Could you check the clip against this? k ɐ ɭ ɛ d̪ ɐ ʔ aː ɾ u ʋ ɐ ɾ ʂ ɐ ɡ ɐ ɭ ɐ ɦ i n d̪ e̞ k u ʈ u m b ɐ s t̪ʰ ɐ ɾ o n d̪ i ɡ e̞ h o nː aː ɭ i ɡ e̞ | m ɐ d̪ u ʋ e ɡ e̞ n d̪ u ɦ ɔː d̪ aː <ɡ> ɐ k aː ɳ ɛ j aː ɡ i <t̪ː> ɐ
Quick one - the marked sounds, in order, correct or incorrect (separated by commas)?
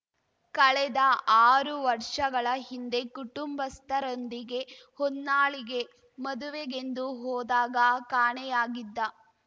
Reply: correct, incorrect